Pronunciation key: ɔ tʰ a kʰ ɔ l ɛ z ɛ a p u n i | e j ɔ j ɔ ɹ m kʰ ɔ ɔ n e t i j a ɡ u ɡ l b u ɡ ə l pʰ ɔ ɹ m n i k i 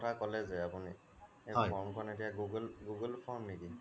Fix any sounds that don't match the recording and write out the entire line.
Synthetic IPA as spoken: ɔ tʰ a k ɔ l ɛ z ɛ a p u n i | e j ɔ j ɔ ɹ m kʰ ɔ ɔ n e t i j a ɡ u ɡ l ɡ u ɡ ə l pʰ ɔ ɹ m n i k i